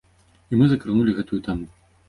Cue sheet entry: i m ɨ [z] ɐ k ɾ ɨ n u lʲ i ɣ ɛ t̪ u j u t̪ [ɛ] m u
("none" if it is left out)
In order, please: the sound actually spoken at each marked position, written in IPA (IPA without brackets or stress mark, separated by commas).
z, a